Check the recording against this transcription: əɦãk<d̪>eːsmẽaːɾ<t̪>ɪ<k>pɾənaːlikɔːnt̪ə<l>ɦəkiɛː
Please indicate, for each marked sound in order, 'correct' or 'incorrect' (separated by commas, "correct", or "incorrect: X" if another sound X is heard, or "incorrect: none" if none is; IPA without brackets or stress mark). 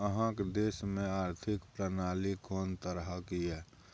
correct, incorrect: t̪ʰ, correct, incorrect: ɾ